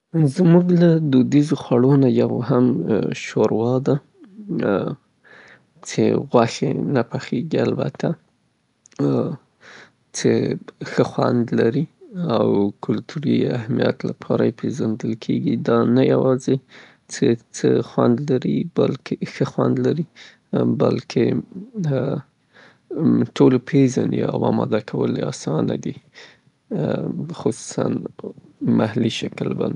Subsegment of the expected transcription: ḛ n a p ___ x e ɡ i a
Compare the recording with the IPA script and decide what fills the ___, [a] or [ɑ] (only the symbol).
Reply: a